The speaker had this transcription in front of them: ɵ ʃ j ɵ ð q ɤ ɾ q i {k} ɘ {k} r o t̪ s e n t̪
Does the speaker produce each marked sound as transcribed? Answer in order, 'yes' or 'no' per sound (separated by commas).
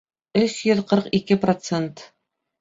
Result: yes, no